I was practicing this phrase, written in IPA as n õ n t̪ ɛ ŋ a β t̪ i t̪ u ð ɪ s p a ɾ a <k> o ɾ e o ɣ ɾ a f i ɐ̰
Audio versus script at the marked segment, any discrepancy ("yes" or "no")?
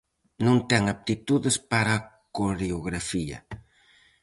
no